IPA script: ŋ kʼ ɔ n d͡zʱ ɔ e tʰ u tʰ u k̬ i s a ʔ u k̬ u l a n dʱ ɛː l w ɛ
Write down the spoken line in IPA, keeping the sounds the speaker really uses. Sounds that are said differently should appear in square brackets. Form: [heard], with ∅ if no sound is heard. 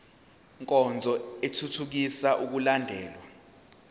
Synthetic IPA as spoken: ŋ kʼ ɔ n d͡zʱ ɔ e tʰ u tʰ u k̬ i s a ʔ u k̬ u l a n dʱ ɛː l w [a]